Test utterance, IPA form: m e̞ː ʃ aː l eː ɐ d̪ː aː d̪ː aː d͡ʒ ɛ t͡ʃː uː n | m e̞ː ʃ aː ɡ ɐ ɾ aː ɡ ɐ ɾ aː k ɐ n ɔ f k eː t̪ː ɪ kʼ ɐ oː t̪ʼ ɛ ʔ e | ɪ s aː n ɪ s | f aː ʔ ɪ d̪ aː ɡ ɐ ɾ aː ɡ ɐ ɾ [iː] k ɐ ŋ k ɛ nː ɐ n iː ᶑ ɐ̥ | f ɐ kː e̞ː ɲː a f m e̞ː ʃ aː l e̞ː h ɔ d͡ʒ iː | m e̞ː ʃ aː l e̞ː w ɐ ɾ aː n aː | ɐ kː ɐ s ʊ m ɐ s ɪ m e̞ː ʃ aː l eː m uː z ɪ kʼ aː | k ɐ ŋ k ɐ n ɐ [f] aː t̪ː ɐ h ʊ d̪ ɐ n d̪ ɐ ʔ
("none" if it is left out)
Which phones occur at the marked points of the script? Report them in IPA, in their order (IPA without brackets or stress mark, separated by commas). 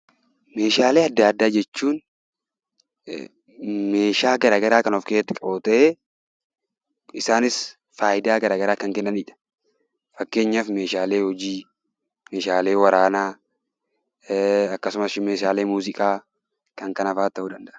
aː, f